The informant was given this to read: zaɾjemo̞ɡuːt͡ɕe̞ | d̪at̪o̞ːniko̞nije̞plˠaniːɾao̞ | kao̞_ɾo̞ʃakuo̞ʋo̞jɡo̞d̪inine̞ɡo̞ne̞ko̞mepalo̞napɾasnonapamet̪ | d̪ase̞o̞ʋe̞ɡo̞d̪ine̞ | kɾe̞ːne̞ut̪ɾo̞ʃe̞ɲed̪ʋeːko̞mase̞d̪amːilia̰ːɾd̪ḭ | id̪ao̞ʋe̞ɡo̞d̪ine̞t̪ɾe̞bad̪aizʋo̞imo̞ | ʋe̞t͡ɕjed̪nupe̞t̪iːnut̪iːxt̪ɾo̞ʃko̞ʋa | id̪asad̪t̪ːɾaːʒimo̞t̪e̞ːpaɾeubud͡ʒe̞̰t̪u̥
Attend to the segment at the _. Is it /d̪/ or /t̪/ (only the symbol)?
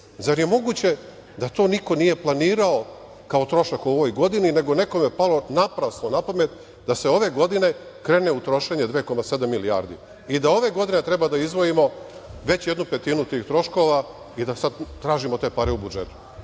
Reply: t̪